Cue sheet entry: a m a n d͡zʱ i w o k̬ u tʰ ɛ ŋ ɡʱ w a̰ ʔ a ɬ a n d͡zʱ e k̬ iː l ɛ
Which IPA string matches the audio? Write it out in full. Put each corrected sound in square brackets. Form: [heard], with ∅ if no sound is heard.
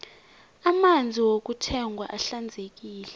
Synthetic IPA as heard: a m a n d͡zʱ i w o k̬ u tʰ ɛ ŋ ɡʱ w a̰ ʔ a ɬ a n d͡zʱ e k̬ iː l ɛ